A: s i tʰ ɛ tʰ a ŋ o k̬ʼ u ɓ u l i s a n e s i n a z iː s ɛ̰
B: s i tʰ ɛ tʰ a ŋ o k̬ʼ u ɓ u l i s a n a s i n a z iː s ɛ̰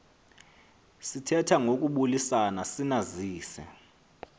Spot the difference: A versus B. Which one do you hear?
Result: B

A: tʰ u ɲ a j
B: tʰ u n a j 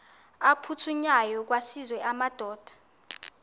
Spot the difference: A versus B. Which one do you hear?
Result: A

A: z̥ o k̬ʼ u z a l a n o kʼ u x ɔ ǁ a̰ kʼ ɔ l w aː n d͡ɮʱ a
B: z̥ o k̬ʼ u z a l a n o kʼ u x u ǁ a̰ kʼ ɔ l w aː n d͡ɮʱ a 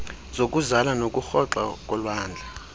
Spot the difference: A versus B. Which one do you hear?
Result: A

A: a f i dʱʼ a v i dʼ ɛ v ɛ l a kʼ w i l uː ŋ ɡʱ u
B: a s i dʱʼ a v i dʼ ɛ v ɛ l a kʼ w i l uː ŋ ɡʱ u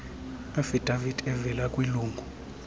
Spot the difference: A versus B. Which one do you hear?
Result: A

